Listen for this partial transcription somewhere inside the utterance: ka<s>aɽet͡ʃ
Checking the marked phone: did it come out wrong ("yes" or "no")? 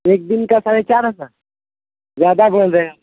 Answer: no